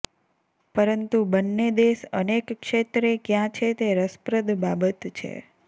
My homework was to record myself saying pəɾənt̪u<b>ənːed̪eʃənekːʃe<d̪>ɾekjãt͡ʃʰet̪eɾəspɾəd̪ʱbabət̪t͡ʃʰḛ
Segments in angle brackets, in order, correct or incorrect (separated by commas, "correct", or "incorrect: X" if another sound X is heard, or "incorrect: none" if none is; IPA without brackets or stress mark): correct, incorrect: t̪